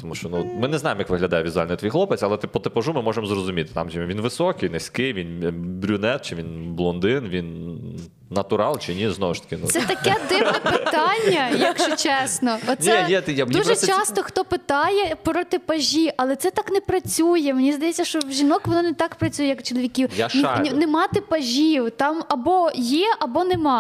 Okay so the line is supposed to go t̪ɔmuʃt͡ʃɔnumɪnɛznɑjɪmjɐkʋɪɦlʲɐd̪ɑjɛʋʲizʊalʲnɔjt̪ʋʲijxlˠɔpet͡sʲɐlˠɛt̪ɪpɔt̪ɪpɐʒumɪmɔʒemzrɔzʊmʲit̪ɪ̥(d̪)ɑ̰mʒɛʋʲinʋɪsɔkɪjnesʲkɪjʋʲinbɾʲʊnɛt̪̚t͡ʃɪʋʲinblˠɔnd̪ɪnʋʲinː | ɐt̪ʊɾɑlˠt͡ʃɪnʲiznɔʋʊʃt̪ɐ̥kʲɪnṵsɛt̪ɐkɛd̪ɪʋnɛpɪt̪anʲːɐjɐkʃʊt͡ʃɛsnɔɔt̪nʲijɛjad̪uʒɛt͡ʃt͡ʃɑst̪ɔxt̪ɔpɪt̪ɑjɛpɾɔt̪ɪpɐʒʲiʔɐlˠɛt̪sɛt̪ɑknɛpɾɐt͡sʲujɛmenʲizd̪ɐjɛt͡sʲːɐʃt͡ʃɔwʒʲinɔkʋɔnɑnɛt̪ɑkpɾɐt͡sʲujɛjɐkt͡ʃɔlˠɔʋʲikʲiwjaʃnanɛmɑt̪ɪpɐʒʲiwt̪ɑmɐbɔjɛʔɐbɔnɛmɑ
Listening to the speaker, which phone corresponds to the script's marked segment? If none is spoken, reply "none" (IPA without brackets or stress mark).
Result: t̪